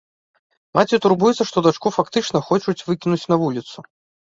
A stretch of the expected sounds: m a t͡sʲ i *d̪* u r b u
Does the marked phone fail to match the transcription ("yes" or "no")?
yes